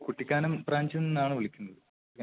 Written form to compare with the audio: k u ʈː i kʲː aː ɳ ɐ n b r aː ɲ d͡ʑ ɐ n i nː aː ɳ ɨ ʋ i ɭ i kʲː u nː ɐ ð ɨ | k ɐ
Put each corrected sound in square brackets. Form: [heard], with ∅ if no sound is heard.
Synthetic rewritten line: k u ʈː i kʲː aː [n] ɐ [m] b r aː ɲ d͡ʑ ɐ n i nː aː ɳ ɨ ʋ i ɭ i kʲː u nː ɐ ð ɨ | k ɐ